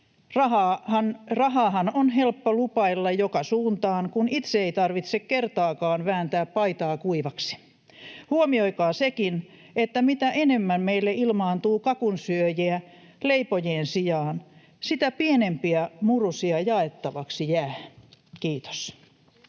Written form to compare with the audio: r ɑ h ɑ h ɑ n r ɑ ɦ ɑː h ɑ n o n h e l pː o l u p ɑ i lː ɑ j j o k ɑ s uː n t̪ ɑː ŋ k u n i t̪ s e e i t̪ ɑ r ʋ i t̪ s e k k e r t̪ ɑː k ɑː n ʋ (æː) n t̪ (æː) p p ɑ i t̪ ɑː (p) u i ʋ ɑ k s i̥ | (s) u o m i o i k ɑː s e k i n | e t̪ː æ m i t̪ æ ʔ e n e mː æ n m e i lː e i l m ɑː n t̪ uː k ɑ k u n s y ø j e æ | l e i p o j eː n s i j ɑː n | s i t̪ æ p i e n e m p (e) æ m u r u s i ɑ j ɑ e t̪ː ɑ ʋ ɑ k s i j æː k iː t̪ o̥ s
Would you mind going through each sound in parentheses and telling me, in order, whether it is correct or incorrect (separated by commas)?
correct, correct, incorrect, incorrect, incorrect